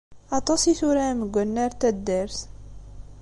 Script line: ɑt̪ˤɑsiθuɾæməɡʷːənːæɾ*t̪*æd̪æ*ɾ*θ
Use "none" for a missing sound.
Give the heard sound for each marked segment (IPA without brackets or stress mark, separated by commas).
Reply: t̪, ɾ